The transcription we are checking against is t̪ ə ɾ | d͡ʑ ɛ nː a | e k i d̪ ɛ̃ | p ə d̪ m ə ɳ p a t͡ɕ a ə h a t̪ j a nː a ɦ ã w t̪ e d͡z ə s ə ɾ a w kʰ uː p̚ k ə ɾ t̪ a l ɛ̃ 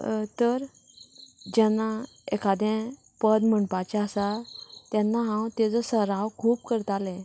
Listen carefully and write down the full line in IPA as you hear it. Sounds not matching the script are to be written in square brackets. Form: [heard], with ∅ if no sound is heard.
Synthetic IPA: t̪ ə ɾ | d͡ʑ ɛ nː a | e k [a] d̪ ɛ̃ | p ə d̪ m ə ɳ p a t͡ɕ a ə [s] a t̪ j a nː a ɦ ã w t̪ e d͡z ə s ə ɾ a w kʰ uː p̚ k ə ɾ t̪ a l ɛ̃

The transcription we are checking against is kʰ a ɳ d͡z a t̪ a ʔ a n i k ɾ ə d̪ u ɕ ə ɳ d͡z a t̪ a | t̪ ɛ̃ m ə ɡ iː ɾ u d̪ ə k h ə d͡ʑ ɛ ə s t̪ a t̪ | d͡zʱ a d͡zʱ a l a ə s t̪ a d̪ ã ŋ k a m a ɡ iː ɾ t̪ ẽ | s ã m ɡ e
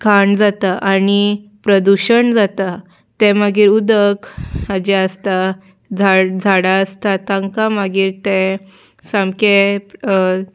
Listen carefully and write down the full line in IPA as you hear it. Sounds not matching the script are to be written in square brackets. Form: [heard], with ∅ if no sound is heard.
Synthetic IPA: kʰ a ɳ d͡z a t̪ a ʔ a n i [p] ɾ ə d̪ u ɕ ə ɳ d͡z a t̪ a | t̪ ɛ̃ m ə ɡ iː ɾ u d̪ ə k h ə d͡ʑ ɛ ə s t̪ a [∅] | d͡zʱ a d͡zʱ a [ɽ] a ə s t̪ a [t̪] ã ŋ k a m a ɡ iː ɾ t̪ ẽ | s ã m [k] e

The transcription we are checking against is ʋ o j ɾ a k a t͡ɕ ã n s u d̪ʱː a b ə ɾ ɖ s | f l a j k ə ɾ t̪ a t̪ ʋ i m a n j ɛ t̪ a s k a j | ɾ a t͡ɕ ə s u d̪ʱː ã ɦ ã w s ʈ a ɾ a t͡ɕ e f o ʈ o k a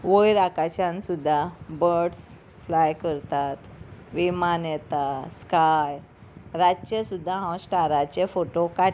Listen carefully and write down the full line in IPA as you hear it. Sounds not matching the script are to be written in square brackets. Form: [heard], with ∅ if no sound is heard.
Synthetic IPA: ʋ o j ɾ a k a t͡ɕ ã n s u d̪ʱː a b ə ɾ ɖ s | f l a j k ə ɾ t̪ a t̪ ʋ i m a n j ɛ t̪ a s k a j | ɾ a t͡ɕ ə s u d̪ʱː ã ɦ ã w s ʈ a ɾ a t͡ɕ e f o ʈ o k a

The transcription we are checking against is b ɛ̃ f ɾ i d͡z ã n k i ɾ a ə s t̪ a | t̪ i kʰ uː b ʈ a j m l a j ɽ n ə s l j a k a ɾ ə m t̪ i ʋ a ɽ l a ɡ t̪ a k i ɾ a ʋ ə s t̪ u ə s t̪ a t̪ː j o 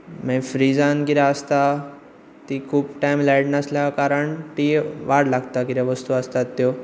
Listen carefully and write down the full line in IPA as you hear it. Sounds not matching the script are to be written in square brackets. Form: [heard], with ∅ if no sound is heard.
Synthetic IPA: [m] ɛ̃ f ɾ i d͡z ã n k i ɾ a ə s t̪ a | t̪ i kʰ uː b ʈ a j m l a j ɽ n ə s l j a k a ɾ ə [ɳ] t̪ i ʋ a ɽ l a ɡ t̪ a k i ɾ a ʋ ə s t̪ u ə s t̪ a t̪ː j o

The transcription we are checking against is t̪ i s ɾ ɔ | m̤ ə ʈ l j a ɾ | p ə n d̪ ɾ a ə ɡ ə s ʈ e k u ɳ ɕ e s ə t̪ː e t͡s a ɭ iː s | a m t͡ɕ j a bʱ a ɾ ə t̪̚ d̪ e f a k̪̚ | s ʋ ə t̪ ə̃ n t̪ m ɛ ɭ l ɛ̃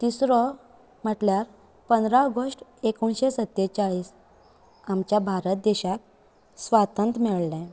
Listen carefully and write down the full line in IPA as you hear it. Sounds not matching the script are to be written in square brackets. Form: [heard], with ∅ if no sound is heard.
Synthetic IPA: t̪ i s ɾ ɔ | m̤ ə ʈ l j a ɾ | p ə n d̪ ɾ a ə ɡ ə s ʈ e k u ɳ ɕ e s ə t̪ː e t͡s a ɭ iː s | a m t͡ɕ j a bʱ a ɾ ə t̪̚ d̪ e [ɕ] a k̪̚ | s ʋ [a] t̪ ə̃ n t̪ m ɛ ɭ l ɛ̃

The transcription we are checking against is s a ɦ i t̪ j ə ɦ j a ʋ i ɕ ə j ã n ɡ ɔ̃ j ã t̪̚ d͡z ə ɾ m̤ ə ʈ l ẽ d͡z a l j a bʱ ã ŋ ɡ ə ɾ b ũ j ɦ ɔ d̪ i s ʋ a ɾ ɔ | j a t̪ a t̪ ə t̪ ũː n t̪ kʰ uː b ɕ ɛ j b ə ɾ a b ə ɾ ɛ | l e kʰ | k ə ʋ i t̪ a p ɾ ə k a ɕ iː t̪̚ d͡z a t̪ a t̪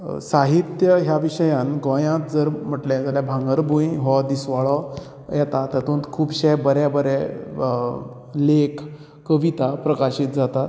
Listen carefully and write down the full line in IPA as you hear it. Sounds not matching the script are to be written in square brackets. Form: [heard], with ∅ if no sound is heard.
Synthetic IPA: s a ɦ i t̪ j ə ɦ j a ʋ i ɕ ə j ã n ɡ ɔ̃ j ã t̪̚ d͡z ə ɾ m̤ ə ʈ l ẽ d͡z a l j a bʱ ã ŋ ɡ ə ɾ b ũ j ɦ ɔ d̪ i s ʋ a [ɭ] ɔ | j [ɛ] t̪ a t̪ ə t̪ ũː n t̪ kʰ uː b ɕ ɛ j b ə ɾ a b ə ɾ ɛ | l e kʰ | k ə ʋ i t̪ a p ɾ ə k a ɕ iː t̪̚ d͡z a t̪ a t̪

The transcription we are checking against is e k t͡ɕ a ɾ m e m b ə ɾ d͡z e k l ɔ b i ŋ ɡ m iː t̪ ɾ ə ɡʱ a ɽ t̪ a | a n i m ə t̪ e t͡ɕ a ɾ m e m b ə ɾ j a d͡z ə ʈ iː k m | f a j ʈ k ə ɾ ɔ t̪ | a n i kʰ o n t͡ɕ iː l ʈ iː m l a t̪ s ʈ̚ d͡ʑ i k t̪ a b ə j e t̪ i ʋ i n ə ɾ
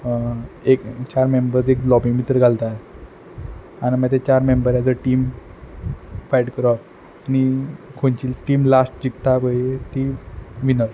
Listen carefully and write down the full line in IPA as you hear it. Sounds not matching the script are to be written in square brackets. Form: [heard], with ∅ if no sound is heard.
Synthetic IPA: e k t͡ɕ a ɾ m e m b ə ɾ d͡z e k l ɔ b i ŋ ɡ m [i] t̪ ɾ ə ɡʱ a [l] t̪ a | a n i m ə t̪ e t͡ɕ a ɾ m e m b ə ɾ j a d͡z ə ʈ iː [∅] m | f a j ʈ k ə ɾ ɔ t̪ | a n i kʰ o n t͡ɕ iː l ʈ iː m l a [∅] s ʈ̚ d͡ʑ i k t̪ a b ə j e t̪ i ʋ i n ə ɾ

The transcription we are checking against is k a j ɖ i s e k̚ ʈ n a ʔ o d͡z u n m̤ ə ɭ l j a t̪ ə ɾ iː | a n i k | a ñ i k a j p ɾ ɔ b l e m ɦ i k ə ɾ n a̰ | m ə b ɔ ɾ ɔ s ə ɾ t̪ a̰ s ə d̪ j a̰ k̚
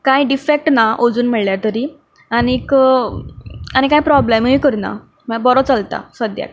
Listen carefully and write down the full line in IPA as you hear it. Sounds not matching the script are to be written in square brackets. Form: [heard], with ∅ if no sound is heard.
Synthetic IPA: k a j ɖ i [f] e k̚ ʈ n a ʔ o d͡z [uː] n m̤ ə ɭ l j a t̪ ə ɾ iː | a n i k | a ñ i k a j p ɾ ɔ b l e m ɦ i k ə ɾ n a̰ | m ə b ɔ ɾ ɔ [t͡s] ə [l] t̪ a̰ s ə d̪ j a̰ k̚

